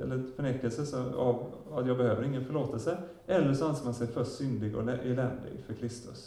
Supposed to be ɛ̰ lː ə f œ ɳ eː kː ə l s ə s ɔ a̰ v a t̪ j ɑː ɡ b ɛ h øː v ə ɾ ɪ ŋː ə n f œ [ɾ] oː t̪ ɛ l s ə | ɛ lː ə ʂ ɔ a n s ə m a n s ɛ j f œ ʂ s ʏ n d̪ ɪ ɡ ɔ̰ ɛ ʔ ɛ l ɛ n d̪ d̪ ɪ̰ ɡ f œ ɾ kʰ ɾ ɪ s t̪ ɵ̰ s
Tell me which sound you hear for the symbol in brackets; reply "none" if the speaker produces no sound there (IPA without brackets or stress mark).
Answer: ɭ